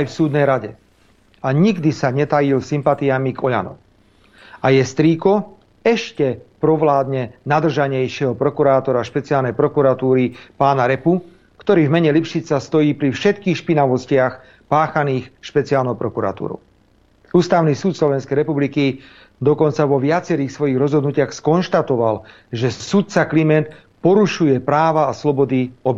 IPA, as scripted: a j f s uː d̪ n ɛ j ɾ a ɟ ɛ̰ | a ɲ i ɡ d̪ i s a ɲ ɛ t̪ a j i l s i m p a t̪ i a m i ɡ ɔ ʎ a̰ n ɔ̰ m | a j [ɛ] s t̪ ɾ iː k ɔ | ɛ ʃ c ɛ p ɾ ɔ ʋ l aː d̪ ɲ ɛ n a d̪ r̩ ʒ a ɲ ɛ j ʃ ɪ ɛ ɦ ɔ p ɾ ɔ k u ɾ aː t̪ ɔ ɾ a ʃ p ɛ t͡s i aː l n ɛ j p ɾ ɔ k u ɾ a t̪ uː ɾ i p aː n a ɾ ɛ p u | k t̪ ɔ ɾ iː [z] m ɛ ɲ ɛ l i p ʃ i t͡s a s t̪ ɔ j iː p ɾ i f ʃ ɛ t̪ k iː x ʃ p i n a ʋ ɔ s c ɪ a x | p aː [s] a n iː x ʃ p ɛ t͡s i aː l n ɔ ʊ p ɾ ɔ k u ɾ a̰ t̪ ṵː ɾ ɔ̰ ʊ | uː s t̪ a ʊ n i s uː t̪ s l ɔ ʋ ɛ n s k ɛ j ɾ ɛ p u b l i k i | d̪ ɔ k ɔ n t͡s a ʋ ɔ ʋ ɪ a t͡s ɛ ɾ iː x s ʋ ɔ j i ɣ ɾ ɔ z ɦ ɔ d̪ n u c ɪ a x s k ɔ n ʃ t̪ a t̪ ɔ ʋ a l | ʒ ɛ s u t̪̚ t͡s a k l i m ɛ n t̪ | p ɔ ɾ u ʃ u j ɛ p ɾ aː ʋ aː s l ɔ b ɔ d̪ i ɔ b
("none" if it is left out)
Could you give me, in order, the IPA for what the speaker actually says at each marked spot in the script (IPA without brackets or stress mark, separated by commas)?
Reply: ɛ, v, x